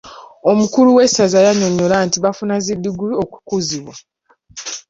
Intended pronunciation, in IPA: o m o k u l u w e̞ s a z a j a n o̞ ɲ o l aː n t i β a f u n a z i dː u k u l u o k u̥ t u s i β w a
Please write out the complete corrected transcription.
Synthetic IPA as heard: o m u k u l u w e̞ s a z a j a ɲ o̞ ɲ o l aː n t i β a f u n a z i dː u ɡ u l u o k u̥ k u z i β w a